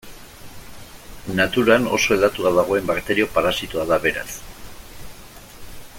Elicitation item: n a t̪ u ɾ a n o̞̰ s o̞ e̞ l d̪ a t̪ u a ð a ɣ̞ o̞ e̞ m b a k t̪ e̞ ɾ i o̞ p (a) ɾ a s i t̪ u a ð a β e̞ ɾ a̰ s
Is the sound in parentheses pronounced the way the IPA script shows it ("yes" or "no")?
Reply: yes